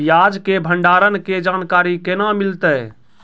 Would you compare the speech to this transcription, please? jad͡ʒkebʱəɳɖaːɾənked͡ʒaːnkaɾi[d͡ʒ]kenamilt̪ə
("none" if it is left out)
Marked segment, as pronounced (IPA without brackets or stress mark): none